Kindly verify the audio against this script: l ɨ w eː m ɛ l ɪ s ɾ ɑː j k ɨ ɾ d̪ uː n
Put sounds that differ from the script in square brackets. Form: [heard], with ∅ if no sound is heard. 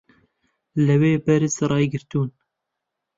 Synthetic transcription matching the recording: l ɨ w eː [b] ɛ [ɾ] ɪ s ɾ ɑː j [ɡ] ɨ ɾ [t̪] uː n